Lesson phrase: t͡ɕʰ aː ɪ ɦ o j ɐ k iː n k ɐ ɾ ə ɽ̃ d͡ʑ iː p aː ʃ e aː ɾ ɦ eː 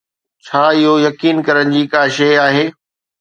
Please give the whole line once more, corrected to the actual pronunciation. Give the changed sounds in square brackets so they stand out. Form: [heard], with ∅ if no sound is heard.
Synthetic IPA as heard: t͡ɕʰ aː ɪ ɦ o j ɐ k iː n k ɐ ɾ ə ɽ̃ d͡ʑ iː [k] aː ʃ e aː [∅] ɦ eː